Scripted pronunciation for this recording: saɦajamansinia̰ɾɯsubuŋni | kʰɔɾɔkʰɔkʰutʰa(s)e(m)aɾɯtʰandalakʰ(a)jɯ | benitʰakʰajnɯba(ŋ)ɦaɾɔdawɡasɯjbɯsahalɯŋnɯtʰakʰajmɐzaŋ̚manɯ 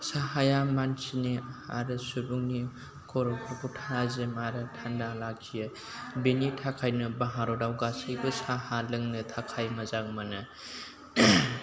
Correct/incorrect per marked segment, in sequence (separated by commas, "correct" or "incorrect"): incorrect, correct, incorrect, incorrect